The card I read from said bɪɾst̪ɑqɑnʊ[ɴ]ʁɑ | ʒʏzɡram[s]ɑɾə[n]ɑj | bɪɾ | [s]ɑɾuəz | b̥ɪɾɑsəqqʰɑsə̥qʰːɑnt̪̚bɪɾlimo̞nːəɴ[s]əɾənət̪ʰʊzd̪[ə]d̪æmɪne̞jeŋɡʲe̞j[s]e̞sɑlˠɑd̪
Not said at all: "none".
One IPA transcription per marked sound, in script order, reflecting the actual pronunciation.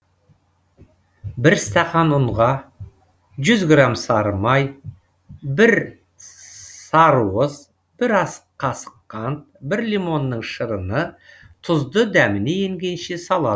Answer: ɴ, s, m, s, ʃ, ə, ʃ

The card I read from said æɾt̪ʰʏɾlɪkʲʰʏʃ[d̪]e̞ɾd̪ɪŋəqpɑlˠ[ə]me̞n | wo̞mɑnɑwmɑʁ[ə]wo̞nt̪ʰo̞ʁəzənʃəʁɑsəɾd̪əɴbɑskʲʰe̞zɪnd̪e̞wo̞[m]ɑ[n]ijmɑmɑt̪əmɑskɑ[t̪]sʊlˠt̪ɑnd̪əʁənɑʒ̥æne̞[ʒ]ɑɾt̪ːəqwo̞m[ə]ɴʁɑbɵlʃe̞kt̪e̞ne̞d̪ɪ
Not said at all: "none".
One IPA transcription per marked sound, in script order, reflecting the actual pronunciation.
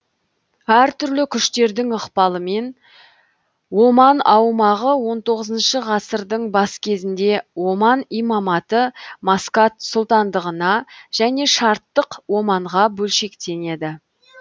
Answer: t̪, ə, ə, m, n, t̪, ʃ, ɑ

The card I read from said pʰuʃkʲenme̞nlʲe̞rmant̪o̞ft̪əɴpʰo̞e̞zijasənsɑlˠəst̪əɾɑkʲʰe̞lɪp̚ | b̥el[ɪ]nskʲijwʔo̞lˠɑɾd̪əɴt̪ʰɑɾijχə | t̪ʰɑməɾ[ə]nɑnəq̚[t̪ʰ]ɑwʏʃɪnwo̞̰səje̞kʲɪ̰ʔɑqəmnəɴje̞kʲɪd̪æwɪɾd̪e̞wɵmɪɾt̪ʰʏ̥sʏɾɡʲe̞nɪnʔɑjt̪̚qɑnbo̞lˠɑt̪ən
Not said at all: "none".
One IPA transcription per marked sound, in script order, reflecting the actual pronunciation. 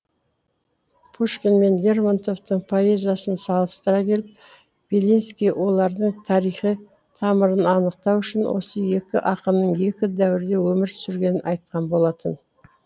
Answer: i, ə, t̪

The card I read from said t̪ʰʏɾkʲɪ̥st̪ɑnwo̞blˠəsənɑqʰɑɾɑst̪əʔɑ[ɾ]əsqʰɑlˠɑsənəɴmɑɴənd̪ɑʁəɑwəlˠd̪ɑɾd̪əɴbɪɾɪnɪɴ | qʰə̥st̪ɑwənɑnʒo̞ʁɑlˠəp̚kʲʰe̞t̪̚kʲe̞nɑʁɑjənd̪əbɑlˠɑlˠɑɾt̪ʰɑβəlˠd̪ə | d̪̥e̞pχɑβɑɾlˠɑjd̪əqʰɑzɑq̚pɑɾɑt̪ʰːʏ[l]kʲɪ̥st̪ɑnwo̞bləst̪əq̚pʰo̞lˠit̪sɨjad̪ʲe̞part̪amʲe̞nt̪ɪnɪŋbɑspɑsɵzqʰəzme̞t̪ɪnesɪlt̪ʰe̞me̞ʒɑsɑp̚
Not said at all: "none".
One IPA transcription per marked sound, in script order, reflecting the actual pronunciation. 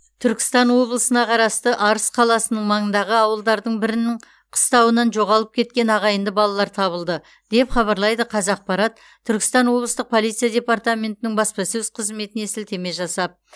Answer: ɾ, ɾ

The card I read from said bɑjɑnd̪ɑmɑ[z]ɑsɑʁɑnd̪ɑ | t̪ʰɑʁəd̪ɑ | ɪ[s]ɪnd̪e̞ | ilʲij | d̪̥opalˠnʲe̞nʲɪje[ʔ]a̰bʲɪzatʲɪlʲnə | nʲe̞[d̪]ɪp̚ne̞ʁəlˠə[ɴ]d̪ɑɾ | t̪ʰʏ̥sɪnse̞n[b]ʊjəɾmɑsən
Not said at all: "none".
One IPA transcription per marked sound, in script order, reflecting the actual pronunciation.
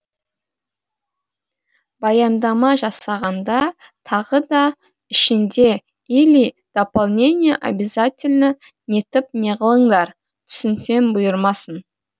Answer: ʒ, ʃ, ʔ, t̪, ɴ, b

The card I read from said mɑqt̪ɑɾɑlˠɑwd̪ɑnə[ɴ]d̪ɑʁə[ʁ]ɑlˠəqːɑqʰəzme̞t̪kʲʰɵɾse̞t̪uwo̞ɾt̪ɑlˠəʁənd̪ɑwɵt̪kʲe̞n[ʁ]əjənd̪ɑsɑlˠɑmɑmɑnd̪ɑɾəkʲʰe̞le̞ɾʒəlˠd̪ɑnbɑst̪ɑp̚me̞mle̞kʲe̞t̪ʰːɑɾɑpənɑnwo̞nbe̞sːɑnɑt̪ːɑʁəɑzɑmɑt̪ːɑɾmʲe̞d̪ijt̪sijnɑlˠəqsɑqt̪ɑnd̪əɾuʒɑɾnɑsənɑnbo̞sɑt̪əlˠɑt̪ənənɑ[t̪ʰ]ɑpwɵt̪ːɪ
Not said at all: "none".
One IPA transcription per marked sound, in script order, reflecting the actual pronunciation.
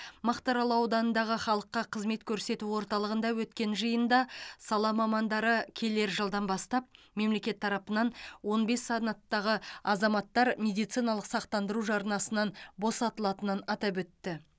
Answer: n, χ, ʒ, t̪

